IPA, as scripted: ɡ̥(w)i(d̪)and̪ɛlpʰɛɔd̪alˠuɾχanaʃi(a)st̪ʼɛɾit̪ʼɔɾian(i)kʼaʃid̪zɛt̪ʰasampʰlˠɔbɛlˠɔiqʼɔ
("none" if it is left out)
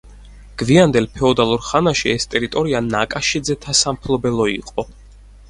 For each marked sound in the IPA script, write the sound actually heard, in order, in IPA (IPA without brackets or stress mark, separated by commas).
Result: v, none, ɛ, a